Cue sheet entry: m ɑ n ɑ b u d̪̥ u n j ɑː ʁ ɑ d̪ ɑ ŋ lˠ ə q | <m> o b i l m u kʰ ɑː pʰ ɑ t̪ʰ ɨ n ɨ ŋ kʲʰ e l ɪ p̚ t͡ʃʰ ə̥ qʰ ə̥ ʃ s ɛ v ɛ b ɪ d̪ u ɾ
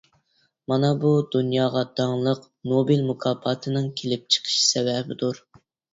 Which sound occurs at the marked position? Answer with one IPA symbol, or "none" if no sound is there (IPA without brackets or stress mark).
n